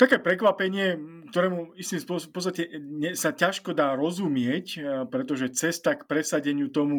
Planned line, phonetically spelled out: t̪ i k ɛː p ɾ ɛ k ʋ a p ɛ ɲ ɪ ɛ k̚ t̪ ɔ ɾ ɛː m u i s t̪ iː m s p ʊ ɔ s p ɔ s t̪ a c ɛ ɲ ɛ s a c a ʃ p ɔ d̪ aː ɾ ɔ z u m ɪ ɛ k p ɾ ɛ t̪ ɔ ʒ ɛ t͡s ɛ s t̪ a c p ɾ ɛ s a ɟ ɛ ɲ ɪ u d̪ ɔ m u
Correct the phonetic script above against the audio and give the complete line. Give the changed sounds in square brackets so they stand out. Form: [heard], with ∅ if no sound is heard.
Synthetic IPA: t̪ [a] k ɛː p ɾ ɛ k ʋ a p ɛ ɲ ɪ ɛ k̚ t̪ ɔ ɾ ɛː m u i s t̪ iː m s p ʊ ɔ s p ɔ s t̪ a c ɛ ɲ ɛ s a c a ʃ [k] ɔ d̪ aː ɾ ɔ z u m ɪ ɛ [c] p ɾ ɛ t̪ ɔ ʒ ɛ t͡s ɛ s t̪ a [k] p ɾ ɛ s a ɟ ɛ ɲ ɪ u [t̪] ɔ m u